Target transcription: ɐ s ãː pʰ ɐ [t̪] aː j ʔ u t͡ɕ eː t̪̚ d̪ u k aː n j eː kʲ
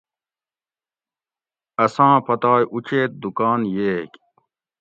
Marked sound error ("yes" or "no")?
no